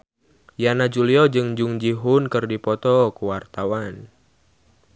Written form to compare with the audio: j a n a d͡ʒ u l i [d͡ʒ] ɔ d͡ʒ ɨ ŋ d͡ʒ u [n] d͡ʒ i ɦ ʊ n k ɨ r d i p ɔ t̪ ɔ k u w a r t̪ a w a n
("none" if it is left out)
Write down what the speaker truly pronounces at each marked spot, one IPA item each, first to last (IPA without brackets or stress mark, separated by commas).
none, ŋ